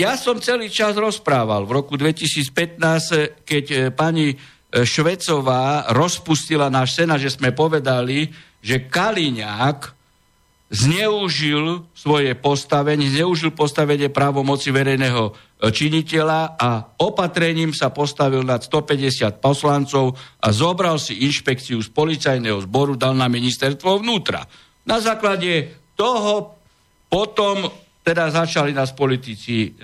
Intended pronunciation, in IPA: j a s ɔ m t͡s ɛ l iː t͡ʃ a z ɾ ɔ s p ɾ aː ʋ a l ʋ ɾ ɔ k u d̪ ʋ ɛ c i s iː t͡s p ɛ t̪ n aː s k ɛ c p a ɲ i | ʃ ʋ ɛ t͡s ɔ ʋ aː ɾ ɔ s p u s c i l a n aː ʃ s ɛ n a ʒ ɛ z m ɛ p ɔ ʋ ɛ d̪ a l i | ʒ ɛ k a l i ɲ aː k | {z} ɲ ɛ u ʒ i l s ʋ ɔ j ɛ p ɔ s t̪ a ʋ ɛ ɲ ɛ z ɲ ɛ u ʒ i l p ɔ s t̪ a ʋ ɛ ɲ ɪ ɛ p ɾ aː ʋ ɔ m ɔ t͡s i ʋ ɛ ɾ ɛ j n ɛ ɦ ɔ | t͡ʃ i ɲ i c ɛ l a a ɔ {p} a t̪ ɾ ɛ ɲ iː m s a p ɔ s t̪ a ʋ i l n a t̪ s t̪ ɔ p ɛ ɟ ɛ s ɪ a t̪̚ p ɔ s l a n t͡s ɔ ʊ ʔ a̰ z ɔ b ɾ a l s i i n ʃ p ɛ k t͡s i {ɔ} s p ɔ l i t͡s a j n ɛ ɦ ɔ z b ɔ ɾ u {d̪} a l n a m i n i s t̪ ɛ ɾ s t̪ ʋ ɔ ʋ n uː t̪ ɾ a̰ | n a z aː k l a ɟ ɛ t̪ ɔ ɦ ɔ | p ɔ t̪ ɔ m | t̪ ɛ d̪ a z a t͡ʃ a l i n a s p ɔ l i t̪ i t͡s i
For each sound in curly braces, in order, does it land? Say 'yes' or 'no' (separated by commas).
yes, yes, no, yes